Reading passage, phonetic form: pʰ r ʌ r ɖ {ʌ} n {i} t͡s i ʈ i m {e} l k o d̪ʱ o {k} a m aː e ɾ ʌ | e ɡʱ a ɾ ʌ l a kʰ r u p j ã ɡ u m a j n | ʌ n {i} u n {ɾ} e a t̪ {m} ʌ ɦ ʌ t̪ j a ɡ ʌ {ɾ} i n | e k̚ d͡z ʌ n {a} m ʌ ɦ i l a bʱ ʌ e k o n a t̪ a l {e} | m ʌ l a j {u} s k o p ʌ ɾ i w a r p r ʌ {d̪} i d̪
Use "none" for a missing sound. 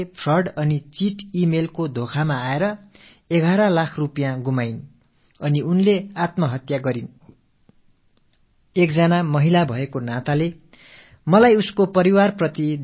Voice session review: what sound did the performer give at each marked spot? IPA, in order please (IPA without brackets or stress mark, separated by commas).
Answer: ʌ, i, e, kʰ, i, l, m, ɾ, a, e, u, t̪